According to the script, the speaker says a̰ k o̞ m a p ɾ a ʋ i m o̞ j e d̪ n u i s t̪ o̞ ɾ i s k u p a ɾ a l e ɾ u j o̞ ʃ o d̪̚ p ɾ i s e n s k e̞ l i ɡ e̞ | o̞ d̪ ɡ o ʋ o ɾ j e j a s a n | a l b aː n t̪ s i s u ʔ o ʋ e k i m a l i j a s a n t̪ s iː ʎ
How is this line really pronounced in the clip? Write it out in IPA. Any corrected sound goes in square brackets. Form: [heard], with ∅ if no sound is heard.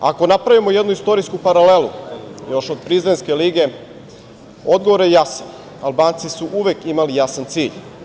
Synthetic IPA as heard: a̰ k o̞ [n] a p ɾ a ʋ i m o̞ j e d̪ n u i s t̪ o̞ ɾ i s k u p a ɾ a l e [l] u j o̞ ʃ o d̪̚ p ɾ i [z] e n s k e̞ l i ɡ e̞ | o̞ d̪ ɡ o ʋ o ɾ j e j a s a n | a l b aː n t̪ s i s u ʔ [u] ʋ e k i m a l i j a s a n t̪ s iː ʎ